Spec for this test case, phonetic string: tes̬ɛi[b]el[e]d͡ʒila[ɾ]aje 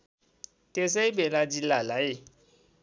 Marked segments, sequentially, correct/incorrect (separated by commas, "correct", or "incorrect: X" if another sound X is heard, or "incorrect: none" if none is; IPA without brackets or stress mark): correct, incorrect: a, incorrect: l